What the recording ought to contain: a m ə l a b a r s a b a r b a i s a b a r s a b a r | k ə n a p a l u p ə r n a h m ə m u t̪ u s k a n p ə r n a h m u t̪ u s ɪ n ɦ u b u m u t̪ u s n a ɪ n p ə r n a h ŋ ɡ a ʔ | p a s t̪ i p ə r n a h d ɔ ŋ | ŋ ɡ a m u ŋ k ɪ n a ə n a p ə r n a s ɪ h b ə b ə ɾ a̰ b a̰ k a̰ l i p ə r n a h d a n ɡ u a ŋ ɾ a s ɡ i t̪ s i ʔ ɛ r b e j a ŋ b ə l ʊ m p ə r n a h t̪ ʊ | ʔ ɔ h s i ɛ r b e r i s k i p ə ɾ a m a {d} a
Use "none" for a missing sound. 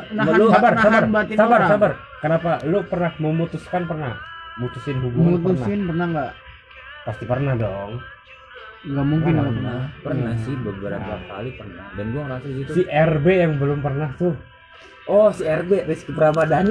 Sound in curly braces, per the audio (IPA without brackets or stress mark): d